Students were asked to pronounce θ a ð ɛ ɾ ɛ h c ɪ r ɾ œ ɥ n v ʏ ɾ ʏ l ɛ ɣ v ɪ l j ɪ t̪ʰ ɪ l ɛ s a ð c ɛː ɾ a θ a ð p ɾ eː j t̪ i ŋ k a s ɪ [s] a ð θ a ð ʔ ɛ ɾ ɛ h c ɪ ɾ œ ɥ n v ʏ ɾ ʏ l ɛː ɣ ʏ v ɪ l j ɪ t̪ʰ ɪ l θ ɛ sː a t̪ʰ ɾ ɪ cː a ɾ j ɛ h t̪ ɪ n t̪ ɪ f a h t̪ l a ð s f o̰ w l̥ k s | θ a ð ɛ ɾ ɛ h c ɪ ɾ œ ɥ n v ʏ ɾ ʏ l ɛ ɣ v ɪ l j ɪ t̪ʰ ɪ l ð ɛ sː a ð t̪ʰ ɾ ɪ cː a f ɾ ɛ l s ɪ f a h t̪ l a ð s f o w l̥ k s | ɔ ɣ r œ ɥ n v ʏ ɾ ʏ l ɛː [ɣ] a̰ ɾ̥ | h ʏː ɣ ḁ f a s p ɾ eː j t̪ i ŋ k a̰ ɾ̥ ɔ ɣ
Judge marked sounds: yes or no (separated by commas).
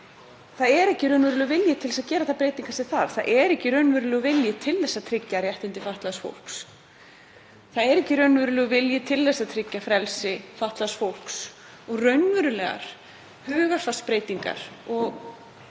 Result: no, yes